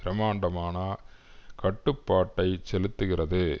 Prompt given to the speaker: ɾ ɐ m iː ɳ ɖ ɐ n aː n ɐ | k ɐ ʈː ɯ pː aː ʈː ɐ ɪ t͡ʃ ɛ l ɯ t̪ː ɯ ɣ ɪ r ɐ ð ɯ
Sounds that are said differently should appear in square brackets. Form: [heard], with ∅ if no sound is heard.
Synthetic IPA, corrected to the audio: ɾ ɐ m [aː] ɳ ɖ ɐ [m] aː n ɐ | k ɐ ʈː ɯ pː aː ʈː ɐ ɪ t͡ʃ ɛ l ɯ t̪ː ɯ ɣ ɪ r ɐ ð ɯ